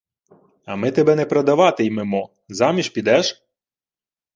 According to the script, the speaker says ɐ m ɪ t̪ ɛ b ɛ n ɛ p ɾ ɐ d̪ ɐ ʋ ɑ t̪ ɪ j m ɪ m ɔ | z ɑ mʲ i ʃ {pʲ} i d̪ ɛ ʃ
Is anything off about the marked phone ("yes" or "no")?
no